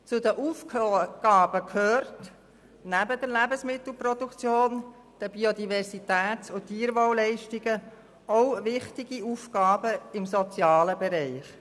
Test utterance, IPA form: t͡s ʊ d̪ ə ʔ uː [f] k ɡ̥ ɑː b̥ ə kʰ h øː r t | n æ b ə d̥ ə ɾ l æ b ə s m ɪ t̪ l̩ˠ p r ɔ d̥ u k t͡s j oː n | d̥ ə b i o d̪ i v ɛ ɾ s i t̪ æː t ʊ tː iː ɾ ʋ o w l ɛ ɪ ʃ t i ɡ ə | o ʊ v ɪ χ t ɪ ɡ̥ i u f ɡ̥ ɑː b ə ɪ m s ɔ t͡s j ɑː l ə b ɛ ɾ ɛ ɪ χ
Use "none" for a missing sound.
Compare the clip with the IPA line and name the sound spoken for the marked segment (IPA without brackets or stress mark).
f